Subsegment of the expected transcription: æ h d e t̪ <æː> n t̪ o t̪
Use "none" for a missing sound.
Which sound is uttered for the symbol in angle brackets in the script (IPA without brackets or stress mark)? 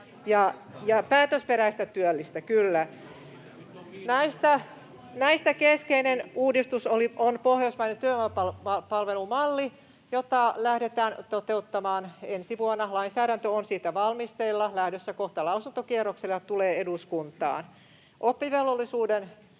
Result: æː